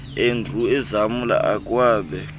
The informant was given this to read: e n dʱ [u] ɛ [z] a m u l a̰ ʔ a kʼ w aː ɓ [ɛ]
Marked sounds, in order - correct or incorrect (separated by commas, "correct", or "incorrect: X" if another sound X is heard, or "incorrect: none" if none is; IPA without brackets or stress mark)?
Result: correct, correct, correct